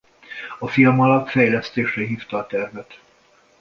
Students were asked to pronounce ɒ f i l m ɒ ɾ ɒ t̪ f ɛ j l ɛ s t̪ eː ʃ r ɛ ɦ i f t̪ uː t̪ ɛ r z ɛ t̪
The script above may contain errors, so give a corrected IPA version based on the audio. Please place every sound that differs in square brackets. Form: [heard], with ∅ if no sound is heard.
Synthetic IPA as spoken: ɒ f i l m ɒ [l] ɒ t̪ f ɛ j l ɛ s t̪ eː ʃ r ɛ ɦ [iː] f t̪ [ɒː] t̪ ɛ r [v] ɛ t̪